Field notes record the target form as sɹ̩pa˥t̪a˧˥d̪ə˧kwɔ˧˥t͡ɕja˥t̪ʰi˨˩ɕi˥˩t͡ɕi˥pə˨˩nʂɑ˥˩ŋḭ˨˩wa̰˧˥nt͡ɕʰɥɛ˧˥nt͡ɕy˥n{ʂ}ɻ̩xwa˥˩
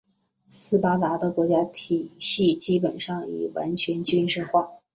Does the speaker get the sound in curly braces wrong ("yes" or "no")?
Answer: no